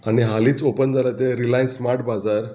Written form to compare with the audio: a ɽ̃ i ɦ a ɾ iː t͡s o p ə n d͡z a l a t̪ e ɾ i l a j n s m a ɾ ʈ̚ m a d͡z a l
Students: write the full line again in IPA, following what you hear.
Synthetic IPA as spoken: a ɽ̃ i ɦ a l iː t͡s o p ə n d͡z a l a t̪ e ɾ i l a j n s m a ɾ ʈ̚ b a d͡z a ɾ

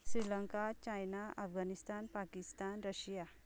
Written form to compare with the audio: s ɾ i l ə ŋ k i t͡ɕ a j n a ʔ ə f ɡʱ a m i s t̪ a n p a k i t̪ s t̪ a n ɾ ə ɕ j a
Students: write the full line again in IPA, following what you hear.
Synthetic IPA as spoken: s ɾ i l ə ŋ k a t͡ɕ a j n a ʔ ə f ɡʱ a n i s t̪ a n p a k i s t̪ a n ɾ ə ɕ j a

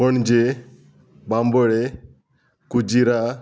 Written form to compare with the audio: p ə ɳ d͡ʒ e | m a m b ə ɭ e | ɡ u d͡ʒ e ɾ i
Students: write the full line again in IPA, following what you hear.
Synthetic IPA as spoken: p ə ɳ d͡ʒ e | b a m b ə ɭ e | k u d͡ʒ i ɾ a

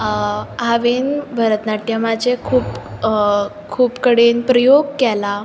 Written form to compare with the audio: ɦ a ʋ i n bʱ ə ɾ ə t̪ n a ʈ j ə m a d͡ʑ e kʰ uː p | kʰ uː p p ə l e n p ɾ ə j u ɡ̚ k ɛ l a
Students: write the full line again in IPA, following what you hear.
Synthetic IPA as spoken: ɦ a ʋ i n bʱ ə ɾ ə t̪ n a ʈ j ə m a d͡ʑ e kʰ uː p | kʰ uː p k ə ɽ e n p ɾ ə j o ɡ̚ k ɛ l a

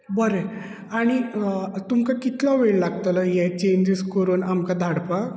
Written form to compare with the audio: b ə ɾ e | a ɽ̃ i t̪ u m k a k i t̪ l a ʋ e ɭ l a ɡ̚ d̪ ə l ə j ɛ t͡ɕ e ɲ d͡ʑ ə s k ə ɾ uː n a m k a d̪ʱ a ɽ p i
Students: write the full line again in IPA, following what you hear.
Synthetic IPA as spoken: b ə ɾ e | a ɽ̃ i t̪ u m k a k i t̪ l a ʋ e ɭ l a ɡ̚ t̪ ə l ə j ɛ t͡ɕ e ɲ d͡ʑ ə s k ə ɾ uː n a m k a d̪ʱ a ɽ p a

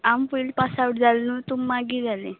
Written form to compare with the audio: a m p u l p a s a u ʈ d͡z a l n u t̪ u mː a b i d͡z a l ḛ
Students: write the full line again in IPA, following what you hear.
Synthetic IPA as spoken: a m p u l p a s a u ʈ d͡z a l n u t̪ u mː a ɡ i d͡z a l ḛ

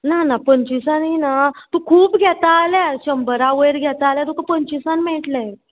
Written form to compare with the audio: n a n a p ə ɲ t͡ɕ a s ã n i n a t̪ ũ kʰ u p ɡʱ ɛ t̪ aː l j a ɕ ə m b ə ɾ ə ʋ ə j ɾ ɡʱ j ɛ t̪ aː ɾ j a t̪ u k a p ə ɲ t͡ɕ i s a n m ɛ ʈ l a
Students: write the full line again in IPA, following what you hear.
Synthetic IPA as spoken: n a n a p ə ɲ t͡ɕ i s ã n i n a t̪ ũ kʰ uː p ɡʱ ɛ t̪ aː l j a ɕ ə m b ə ɾ a ʋ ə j ɾ ɡʱ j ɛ t̪ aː l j a t̪ u k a p ə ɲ t͡ɕ i s a n m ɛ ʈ l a

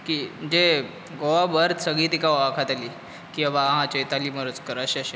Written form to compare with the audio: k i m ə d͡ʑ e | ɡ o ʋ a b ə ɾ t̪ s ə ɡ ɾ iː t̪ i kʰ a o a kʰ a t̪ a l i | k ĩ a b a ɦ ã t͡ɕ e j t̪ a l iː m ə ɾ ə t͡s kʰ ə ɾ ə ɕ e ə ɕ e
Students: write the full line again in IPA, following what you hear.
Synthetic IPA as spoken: k i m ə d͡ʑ e | ɡ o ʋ a b ə ɾ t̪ s ə ɡ ɭ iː t̪ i k a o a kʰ a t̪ a l i | k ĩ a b a ɦ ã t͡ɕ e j t̪ a l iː m ə ɾ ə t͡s k ə ɾ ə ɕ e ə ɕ e

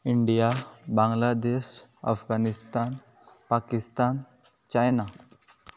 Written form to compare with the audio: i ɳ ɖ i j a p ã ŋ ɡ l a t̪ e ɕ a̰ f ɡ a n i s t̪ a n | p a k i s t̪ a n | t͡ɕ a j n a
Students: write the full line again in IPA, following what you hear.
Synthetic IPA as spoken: i ɳ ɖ i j a b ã ŋ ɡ l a d̪ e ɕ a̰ f ɡ a n i s t̪ a n | p a k i s t̪ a n | t͡ɕ a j n a

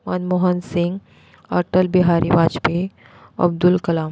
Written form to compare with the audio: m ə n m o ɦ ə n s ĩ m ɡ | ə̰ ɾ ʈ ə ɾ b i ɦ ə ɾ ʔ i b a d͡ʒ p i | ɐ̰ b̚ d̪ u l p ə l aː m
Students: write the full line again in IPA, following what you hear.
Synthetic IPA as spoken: m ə n m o ɦ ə n s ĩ ŋ ɡ | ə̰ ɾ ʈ ə l b i ɦ a ɾ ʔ i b a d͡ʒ p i | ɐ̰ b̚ d̪ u l k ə l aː m

